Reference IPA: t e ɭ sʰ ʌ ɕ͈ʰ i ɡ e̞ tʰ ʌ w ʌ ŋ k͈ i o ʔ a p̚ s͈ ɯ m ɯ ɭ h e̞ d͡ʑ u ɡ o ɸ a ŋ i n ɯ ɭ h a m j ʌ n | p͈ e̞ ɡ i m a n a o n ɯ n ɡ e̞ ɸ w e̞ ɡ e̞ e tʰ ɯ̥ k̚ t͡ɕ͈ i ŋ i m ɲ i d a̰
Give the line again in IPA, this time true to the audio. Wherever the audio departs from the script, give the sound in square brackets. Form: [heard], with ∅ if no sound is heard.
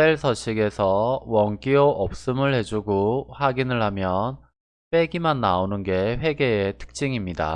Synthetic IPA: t e ɭ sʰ ʌ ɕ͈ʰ i ɡ e̞ [sʰ] ʌ w ʌ ŋ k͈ i o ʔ [ʌ] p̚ s͈ ɯ m ɯ ɭ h e̞ d͡ʑ u ɡ o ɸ a [ɡ] i n ɯ ɭ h a m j ʌ n | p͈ e̞ ɡ i m a [nː] a o n ɯ n ɡ e̞ ɸ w e̞ ɡ e̞ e tʰ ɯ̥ k̚ t͡ɕ͈ i ŋ i m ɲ i d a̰